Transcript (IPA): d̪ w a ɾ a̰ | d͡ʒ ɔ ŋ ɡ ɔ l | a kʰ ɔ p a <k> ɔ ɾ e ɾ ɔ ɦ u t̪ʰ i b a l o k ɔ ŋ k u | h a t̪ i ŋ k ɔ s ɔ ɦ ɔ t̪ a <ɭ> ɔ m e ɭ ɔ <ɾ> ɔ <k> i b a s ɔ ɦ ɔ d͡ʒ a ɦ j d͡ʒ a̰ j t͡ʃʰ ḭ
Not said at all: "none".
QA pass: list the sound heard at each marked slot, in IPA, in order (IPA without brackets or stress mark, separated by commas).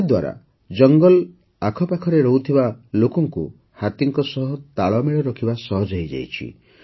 kʰ, ɭ, ɾ, kʰ